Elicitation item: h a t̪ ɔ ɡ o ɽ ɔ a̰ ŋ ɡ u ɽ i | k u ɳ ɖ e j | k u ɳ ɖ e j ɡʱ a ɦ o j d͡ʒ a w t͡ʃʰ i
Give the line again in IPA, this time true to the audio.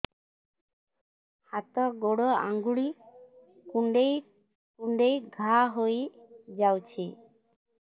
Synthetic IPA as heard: h a t̪ ɔ ɡ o ɽ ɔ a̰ ŋ ɡ u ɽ i | k u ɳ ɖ e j | k u ɳ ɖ e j ɡʱ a ɦ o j d͡ʒ a w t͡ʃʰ i